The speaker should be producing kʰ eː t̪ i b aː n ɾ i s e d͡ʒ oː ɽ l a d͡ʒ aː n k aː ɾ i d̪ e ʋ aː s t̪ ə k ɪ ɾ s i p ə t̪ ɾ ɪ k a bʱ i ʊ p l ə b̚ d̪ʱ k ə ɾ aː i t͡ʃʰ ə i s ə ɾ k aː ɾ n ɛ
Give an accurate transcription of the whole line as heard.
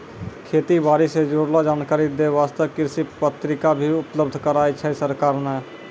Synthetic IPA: kʰ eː t̪ i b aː ɾ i s e d͡ʒ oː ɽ l a d͡ʒ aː n k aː ɾ i d̪ e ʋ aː s t̪ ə k ɪ ɾ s i p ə t̪ ɾ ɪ k a bʱ i ʊ p l ə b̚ d̪ʱ k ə ɾ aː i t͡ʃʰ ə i s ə ɾ k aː ɾ n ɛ